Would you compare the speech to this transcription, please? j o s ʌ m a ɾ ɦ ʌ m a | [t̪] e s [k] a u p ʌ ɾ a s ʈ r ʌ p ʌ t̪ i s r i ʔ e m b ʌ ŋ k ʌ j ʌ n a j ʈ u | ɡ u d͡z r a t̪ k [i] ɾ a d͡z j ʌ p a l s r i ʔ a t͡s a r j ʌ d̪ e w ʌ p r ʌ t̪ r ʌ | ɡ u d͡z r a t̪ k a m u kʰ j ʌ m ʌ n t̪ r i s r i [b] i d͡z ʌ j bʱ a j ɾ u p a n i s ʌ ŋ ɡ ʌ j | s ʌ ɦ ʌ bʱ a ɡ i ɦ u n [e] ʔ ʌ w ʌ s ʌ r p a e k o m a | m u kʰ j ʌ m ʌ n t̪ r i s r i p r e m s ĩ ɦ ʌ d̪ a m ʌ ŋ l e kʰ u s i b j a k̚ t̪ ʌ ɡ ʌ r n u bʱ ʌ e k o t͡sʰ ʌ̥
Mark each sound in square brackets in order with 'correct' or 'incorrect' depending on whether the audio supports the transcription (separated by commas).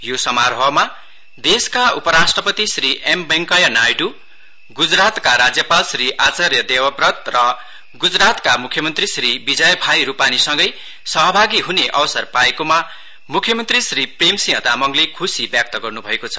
incorrect, correct, incorrect, correct, correct